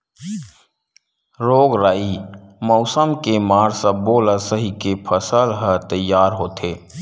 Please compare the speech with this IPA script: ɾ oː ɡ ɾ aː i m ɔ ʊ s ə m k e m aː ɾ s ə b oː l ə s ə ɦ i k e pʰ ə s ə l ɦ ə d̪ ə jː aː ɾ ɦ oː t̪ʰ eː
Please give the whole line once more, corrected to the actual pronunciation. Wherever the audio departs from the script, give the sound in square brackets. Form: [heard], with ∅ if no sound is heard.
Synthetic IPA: ɾ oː ɡ ɾ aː i m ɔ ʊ s ə m k e m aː ɾ s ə b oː l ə s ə ɦ i k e pʰ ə s ə l ɦ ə [t̪] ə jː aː ɾ ɦ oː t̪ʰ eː